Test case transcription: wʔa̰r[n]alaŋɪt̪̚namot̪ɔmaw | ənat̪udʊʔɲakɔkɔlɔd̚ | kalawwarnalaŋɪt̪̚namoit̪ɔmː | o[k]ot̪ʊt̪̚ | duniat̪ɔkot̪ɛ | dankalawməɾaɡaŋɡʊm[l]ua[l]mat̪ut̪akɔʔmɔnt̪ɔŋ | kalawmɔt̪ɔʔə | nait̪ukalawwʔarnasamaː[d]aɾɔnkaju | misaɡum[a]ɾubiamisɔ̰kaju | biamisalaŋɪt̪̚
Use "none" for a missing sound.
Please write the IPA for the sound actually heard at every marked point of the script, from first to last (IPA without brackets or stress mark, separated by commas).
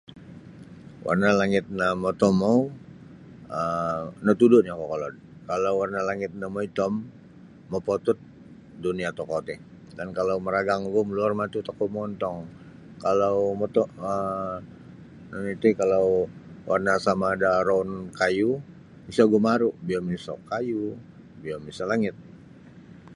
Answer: n, p, l, r, d, a